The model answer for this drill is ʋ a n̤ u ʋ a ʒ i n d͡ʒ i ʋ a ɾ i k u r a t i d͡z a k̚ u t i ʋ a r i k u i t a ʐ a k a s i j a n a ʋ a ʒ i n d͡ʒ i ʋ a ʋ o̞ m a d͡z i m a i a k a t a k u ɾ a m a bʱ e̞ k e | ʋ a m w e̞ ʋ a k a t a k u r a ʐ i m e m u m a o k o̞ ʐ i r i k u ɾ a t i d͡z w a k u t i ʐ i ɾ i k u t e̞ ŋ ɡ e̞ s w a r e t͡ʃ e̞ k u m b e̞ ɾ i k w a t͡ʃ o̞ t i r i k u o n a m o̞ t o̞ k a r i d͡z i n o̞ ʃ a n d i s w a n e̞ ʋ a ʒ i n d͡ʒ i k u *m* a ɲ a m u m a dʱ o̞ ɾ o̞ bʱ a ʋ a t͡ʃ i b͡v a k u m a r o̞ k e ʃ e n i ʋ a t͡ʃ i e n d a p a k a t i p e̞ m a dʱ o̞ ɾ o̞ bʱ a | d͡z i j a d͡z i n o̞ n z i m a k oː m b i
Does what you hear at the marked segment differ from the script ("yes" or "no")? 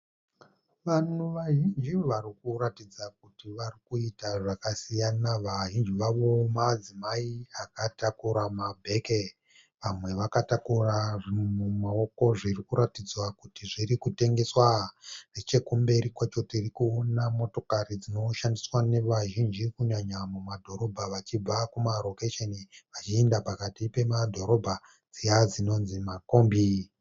yes